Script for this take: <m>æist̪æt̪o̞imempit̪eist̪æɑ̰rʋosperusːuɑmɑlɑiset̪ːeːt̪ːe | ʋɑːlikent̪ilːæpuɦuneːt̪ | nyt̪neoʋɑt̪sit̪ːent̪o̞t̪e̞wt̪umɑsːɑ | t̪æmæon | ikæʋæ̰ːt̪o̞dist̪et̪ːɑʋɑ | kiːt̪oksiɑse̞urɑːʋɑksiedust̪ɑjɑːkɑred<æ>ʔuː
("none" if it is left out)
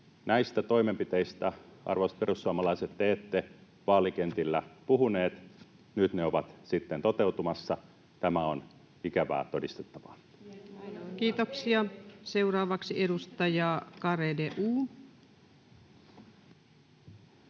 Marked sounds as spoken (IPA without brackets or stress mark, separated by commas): n, e